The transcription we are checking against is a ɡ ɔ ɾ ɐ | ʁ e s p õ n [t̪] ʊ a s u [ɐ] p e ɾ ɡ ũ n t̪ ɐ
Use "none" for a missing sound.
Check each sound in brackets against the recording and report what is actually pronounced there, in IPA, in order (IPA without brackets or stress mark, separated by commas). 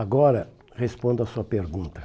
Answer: d̪, ɐ